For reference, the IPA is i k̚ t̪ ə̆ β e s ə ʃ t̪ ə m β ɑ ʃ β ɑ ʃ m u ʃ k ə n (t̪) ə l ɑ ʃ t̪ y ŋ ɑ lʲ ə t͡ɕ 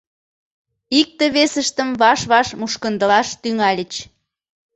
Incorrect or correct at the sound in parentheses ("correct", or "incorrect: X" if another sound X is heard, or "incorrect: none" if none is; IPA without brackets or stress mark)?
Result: incorrect: d̪